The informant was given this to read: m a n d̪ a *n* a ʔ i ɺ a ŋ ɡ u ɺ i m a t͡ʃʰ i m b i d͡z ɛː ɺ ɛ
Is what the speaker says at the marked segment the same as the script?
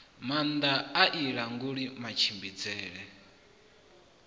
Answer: no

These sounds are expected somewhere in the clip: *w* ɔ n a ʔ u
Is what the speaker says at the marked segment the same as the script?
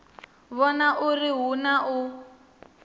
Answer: no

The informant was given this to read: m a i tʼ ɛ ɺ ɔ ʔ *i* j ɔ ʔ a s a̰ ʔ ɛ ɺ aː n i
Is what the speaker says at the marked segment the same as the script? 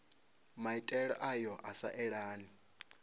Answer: no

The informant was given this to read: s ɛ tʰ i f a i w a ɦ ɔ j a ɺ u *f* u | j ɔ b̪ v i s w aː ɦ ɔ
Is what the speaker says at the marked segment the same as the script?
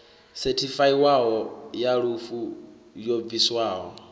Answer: yes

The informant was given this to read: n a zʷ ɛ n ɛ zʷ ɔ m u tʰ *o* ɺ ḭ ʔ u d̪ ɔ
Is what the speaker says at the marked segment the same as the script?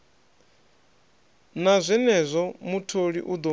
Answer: yes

